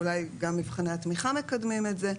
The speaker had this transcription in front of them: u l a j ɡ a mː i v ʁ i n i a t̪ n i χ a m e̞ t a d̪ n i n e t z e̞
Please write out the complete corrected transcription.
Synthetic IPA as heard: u l a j ɡ a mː i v χ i n e a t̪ m i χ a m e̞ k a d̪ m i m e t z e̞